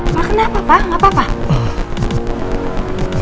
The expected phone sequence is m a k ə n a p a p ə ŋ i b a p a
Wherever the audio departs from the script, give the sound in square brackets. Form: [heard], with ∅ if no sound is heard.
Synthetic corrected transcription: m a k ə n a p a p [a] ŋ [a] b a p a